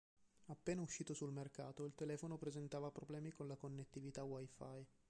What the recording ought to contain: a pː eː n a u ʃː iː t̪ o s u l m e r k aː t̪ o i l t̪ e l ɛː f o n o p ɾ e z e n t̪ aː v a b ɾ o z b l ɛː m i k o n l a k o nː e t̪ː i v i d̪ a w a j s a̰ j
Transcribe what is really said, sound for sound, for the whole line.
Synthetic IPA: a pː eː n a u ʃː iː t̪ o s u l m e r k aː t̪ o i l t̪ e l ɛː f o n o p ɾ e z e n t̪ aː v a p ɾ o b l ɛː m i k o n l a k o nː e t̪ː i v i t̪ a w a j f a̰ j